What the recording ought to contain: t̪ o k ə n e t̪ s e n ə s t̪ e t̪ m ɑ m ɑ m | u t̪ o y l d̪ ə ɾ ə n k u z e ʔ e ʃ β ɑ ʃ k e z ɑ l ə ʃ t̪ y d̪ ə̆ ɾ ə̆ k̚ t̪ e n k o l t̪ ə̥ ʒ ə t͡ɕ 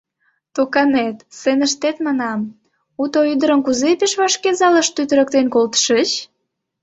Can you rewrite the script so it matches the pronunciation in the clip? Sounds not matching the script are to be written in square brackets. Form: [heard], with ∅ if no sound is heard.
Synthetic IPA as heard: t̪ o k [ɑ] n e t̪ s e n ə [ʃ] t̪ e t̪ m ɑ [n] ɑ m | u t̪ o y [∅] d̪ ə ɾ ə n k u z e [p] e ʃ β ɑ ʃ k e z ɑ l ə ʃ t̪ y [t̪] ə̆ ɾ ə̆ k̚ t̪ e n k o l t̪ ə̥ [ʃ] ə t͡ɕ